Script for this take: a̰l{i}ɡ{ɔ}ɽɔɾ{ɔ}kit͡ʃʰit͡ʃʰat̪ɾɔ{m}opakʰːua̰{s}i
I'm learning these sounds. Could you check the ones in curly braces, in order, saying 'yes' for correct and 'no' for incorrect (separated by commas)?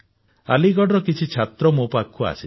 yes, yes, yes, yes, yes